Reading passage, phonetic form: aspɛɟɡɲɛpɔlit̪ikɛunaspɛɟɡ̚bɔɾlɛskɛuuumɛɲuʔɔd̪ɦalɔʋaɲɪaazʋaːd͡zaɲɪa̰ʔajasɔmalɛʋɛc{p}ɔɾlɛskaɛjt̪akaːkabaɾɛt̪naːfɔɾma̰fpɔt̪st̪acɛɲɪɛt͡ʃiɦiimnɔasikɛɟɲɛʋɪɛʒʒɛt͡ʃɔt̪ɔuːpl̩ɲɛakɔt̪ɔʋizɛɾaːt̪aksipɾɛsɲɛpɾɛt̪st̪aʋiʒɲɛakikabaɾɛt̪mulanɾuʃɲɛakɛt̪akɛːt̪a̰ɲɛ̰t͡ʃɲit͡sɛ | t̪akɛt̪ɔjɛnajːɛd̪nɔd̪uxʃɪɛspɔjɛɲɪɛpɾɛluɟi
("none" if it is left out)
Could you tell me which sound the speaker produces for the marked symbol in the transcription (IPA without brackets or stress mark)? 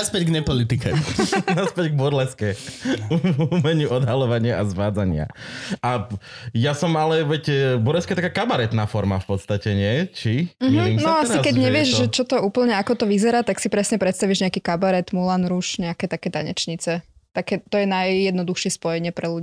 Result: b